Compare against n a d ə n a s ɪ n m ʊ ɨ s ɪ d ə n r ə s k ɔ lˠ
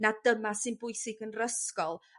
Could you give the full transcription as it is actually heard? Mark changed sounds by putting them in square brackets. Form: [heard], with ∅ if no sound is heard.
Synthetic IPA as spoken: n a d ə [m] a s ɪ n [b] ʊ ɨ s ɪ [ɡ] ə n r ə s k ɔ lˠ